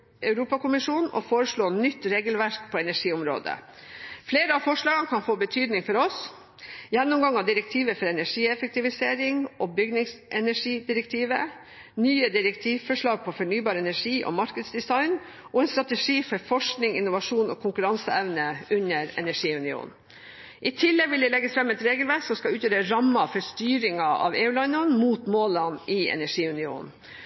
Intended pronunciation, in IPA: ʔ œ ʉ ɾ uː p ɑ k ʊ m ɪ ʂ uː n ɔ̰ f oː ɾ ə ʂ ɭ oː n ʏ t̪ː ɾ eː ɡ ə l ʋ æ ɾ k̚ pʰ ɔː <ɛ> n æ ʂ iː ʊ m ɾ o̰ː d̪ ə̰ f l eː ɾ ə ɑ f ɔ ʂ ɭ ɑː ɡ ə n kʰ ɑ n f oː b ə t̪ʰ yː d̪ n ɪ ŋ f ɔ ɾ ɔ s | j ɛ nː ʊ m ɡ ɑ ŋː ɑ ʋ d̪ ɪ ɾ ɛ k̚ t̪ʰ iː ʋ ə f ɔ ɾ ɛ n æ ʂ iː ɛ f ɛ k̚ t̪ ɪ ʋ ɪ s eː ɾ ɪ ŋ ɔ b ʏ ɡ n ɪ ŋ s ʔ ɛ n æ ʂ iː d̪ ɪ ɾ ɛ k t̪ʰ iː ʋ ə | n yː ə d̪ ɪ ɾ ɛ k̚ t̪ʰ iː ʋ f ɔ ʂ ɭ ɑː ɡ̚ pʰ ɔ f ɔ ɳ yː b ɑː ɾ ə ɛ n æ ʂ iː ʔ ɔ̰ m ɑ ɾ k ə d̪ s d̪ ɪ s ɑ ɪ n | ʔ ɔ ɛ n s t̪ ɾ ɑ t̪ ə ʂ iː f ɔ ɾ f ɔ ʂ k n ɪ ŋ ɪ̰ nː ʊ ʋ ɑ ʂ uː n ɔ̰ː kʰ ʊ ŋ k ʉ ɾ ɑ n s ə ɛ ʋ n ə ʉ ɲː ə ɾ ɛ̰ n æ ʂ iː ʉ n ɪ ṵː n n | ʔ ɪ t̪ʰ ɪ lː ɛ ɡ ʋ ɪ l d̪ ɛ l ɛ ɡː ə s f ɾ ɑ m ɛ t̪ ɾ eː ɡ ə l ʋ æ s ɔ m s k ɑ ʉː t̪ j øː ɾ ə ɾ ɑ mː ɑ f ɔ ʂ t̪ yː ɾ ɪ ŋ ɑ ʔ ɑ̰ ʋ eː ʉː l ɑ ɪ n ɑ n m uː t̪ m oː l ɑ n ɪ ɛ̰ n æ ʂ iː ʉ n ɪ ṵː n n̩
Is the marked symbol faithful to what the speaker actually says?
yes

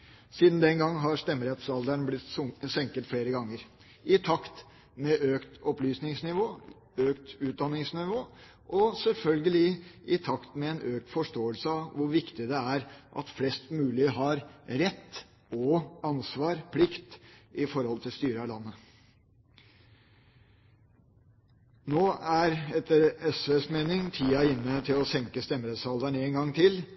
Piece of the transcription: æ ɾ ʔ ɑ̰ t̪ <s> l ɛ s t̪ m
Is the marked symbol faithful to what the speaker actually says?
no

